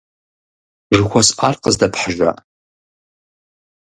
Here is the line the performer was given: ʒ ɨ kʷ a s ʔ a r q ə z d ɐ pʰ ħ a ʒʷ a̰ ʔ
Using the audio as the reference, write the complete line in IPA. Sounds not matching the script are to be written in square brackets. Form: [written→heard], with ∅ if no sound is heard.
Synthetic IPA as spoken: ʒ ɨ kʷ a s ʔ a r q ə z d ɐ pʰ ħ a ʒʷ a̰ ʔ